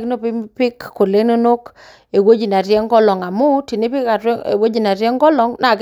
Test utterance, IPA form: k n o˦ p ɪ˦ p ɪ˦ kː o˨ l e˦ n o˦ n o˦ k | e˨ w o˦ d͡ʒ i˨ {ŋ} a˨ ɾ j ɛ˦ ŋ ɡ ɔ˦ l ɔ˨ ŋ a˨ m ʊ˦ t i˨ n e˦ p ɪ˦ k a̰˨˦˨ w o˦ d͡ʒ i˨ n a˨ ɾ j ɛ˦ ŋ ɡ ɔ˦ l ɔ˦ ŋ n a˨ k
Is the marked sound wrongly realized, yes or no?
yes